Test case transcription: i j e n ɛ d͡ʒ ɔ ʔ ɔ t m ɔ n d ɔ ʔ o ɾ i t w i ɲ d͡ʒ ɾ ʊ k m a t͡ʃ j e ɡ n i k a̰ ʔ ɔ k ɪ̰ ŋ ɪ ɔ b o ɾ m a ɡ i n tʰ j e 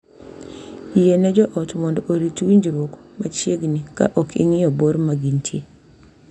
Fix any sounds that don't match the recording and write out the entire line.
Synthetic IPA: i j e n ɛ d͡ʒ ɔ ʔ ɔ t m ɔ n d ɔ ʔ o ɾ i t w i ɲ d͡ʒ ɾ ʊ k m a t͡ʃ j e ɡ n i k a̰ ʔ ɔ k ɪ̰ ŋ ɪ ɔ b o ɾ m a ɡ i n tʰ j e